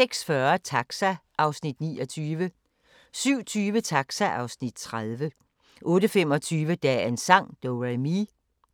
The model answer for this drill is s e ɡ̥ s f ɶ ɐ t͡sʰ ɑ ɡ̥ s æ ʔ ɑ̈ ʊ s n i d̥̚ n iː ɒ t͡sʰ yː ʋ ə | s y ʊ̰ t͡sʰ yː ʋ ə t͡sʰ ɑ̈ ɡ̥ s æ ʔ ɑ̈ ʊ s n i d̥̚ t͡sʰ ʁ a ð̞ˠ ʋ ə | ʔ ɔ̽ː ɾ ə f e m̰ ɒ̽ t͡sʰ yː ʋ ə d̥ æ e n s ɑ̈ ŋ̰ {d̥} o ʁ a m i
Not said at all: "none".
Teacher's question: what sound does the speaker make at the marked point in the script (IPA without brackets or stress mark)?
d̥